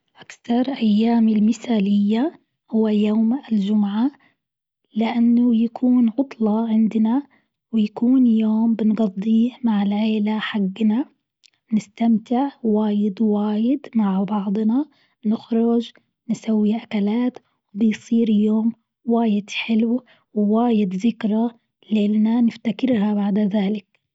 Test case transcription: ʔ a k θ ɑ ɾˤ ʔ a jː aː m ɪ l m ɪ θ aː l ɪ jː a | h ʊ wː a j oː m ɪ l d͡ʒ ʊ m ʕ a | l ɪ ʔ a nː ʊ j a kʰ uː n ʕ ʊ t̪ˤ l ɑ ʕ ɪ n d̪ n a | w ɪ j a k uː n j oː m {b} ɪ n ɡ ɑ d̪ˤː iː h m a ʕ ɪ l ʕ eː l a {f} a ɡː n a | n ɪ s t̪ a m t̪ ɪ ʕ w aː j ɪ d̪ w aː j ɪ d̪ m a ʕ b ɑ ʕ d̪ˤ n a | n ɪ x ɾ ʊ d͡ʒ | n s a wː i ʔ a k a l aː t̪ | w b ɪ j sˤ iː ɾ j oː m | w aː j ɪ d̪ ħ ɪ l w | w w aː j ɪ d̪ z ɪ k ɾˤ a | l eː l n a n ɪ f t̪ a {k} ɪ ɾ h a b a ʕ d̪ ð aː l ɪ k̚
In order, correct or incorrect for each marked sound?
correct, incorrect: ħ, correct

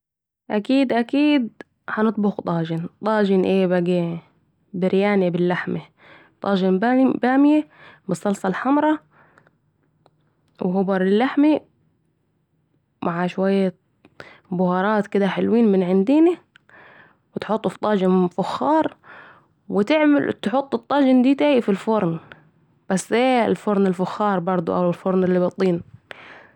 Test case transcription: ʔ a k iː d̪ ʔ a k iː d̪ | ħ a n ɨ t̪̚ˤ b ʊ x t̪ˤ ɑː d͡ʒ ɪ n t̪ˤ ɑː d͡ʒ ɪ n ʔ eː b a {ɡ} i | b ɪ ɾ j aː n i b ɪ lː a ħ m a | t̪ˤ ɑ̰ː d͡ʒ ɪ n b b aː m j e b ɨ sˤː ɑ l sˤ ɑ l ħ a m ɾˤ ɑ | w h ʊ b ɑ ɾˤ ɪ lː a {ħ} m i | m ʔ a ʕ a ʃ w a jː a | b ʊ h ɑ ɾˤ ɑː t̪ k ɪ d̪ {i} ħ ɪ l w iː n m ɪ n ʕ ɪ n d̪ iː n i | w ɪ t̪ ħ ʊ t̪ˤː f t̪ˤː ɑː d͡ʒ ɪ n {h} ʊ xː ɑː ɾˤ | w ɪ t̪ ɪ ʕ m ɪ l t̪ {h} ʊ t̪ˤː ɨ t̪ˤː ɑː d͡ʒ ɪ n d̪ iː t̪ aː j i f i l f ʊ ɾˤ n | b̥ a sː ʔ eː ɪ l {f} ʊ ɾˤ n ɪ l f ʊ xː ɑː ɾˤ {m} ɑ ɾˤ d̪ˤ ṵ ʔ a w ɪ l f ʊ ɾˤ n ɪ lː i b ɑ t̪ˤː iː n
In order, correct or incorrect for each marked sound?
correct, correct, incorrect: a, incorrect: f, incorrect: ħ, correct, incorrect: b

